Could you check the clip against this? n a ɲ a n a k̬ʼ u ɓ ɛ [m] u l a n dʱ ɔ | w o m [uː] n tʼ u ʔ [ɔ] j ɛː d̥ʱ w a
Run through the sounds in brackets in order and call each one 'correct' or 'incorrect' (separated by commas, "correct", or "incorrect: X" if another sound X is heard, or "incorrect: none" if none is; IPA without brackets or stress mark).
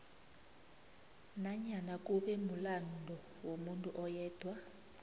correct, incorrect: u, correct